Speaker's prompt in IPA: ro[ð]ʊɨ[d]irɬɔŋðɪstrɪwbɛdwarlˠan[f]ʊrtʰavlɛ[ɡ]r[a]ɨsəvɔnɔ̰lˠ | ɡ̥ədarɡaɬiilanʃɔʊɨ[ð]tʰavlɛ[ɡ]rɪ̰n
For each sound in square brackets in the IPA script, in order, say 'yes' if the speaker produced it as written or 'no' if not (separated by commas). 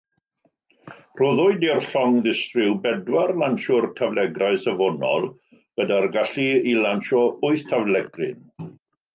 yes, yes, no, yes, yes, no, yes